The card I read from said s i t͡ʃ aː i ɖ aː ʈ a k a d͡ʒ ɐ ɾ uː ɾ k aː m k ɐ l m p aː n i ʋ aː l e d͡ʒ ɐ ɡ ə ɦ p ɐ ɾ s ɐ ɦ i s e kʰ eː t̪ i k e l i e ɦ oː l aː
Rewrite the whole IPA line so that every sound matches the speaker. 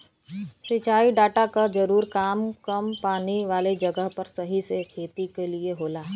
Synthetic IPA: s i t͡ʃ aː i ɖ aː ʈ a k a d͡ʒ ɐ ɾ uː ɾ k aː m k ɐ m p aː n i ʋ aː l e d͡ʒ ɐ ɡ ə ɦ p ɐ ɾ s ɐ ɦ i s e kʰ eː t̪ i k e l i e ɦ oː l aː